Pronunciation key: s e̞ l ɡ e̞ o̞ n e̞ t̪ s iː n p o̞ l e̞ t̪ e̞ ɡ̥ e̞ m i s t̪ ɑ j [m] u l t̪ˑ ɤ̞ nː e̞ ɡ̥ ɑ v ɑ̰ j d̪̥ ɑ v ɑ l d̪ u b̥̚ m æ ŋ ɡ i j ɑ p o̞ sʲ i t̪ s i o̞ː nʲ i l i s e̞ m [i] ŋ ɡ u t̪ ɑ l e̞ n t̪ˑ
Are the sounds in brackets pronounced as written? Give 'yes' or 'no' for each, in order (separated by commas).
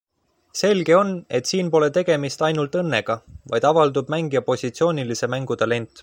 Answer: no, no